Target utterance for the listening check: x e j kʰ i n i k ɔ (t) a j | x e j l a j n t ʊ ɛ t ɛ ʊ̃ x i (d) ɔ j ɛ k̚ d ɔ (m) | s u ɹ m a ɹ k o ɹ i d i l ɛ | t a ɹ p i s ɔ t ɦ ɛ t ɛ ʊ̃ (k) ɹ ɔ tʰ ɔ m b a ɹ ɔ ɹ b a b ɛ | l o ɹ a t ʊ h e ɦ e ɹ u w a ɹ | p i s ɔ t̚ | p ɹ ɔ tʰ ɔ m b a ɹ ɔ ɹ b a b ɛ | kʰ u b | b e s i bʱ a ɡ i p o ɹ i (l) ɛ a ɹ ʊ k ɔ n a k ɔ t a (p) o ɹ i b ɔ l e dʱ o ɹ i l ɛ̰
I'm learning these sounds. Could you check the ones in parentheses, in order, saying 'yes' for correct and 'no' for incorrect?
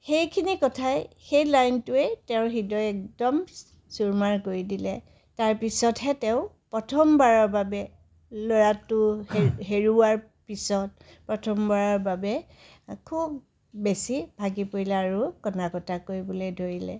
no, yes, yes, no, yes, no

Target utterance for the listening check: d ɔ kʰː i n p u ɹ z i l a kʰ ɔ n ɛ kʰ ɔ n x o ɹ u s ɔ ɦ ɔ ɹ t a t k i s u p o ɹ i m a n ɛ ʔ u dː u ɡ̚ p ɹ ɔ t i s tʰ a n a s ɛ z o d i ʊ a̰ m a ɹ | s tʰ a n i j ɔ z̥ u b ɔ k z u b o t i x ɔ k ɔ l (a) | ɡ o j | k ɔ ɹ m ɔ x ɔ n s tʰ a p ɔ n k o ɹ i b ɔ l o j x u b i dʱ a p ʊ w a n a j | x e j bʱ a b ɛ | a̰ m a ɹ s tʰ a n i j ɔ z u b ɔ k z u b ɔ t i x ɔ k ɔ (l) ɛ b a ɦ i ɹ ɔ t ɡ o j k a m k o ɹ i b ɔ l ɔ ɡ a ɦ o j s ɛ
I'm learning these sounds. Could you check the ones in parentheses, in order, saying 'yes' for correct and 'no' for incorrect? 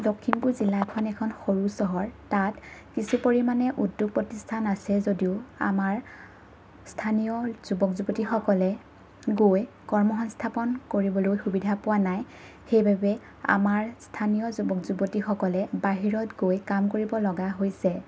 no, yes

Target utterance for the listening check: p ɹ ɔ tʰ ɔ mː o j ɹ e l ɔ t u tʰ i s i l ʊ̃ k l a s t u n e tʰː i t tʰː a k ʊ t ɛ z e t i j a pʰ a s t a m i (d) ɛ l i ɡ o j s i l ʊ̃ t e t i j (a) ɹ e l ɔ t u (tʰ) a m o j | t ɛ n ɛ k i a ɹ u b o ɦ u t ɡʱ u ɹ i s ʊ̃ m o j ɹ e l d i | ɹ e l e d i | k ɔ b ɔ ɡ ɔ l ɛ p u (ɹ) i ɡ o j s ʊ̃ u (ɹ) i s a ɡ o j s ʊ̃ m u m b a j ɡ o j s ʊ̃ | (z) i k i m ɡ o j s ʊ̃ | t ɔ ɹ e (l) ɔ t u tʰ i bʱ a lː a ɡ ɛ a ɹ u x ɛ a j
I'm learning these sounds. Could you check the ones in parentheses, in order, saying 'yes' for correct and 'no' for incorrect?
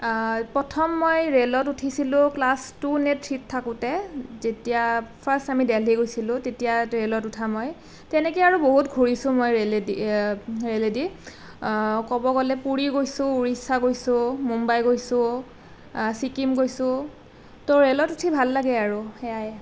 yes, yes, yes, yes, yes, no, yes

